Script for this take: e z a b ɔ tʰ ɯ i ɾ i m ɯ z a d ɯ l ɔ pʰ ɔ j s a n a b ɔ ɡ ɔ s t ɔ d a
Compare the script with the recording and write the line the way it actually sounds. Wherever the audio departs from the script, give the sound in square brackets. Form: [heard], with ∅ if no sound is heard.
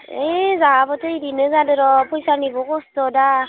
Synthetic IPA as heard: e z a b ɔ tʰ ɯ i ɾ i [n] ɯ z a d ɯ [ɾ] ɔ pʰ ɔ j s a n [i] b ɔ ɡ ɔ s t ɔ d a